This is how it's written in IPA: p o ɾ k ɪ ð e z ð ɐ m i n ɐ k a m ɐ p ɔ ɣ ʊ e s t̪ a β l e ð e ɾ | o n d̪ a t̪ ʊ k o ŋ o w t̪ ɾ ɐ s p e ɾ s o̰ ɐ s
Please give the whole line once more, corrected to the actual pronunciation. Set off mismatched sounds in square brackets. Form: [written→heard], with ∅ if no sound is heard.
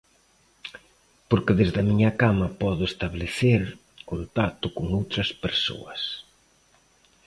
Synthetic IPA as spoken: p o ɾ k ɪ ð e z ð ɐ m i [n→ɲ] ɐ k a m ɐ p ɔ [ɣ→ð] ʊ e s t̪ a β l e [ð→θ] e ɾ | o n [d̪→t̪] a t̪ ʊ k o ŋ o w t̪ ɾ ɐ s p e ɾ s o̰ ɐ s